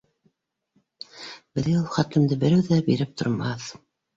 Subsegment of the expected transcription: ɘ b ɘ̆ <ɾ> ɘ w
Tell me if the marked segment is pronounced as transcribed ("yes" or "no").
yes